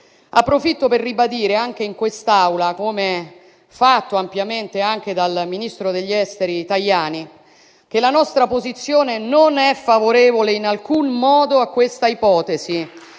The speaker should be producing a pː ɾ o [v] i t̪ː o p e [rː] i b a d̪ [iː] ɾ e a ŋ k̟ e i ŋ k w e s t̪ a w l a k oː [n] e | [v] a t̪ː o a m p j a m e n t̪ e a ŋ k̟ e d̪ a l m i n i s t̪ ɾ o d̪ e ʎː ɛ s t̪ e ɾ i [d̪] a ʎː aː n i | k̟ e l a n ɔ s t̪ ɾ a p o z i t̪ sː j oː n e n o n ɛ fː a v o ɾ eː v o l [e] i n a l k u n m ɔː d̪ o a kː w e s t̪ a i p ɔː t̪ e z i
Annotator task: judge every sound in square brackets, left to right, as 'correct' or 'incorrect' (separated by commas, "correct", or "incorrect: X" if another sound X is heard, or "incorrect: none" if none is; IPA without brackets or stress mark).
incorrect: f, correct, correct, incorrect: m, incorrect: f, incorrect: t̪, correct